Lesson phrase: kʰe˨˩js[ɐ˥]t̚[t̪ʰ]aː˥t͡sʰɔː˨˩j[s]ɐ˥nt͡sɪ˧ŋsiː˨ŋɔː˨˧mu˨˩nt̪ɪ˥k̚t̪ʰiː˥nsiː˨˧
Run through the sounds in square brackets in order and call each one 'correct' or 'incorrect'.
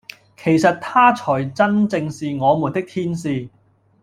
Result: incorrect: ɐ˨, correct, incorrect: t͡s

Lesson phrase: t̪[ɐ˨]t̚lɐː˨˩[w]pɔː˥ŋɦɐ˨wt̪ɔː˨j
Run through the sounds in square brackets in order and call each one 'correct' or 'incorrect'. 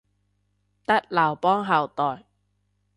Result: incorrect: ɐ˥, correct

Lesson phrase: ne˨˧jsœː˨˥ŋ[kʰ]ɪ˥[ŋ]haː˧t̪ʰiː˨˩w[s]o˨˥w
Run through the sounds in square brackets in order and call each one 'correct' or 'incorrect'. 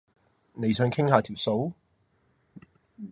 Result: correct, correct, correct

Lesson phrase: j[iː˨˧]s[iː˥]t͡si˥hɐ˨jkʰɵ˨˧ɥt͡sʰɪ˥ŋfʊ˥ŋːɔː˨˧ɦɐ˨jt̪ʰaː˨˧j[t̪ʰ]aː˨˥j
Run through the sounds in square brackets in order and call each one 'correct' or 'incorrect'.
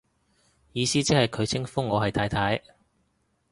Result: correct, correct, correct

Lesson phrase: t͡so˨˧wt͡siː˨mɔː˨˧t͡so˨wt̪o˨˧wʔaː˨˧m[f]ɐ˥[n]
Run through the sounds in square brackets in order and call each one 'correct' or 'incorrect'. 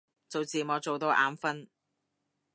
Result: correct, correct

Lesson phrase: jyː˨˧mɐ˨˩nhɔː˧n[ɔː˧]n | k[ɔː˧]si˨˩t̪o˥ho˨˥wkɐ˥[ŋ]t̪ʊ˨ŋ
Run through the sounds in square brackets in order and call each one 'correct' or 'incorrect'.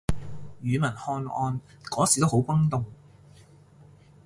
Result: correct, incorrect: ɔː˨˥, correct

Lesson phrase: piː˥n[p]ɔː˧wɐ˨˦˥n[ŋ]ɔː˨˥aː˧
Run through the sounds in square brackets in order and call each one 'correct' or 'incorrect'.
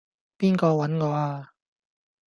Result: incorrect: k, correct

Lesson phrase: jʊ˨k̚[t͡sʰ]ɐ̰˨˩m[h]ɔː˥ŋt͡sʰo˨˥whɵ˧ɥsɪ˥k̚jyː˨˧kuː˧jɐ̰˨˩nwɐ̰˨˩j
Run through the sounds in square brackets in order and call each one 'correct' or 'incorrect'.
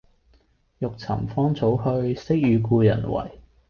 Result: correct, incorrect: f

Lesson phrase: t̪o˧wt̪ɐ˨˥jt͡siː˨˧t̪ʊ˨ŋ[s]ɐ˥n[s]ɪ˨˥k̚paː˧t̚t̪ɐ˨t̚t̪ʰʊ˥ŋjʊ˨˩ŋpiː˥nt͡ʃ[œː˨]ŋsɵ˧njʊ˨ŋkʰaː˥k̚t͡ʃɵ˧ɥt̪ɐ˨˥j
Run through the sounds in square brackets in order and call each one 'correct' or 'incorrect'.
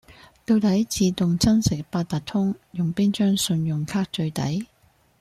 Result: incorrect: t͡s, correct, incorrect: œː˥

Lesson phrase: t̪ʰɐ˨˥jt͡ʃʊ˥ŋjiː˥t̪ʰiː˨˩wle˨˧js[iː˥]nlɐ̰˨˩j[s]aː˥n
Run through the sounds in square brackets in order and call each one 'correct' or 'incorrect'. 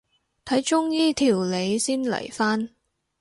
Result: correct, incorrect: f

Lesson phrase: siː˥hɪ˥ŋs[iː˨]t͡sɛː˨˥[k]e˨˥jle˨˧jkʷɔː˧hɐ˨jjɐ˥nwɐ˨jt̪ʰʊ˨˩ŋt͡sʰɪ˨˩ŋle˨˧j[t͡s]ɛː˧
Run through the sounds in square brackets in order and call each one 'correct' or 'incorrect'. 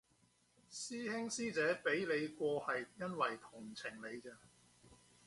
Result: incorrect: iː˥, incorrect: p, correct

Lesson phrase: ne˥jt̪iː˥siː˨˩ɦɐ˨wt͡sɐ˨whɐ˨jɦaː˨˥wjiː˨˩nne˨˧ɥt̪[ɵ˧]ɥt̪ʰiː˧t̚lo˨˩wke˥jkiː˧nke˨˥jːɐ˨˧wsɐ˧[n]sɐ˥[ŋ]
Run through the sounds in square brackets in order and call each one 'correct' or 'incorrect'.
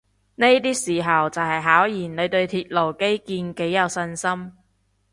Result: correct, correct, incorrect: m

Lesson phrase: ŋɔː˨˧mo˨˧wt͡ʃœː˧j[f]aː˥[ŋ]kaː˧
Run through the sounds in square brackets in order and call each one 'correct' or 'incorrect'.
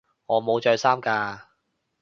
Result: incorrect: s, incorrect: m

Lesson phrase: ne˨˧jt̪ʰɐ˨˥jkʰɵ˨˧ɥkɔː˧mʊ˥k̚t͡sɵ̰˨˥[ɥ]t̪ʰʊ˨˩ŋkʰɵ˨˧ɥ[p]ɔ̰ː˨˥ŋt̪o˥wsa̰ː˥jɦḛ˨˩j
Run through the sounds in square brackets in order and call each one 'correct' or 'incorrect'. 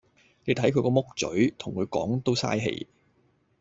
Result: correct, incorrect: k

